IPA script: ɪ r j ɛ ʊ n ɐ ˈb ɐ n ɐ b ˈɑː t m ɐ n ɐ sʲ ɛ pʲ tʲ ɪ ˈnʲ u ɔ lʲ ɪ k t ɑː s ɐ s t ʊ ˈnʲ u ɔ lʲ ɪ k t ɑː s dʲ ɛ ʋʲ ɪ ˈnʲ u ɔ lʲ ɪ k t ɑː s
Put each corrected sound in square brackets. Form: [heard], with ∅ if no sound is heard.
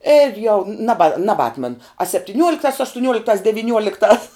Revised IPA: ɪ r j ɛ ʊ n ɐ ˈb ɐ n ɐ b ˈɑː t m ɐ n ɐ sʲ ɛ pʲ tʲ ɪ ˈnʲ u ɔ lʲ ɪ k t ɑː s ɐ [ʃ] t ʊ ˈnʲ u ɔ lʲ ɪ k t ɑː s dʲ ɛ ʋʲ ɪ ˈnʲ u ɔ lʲ ɪ k t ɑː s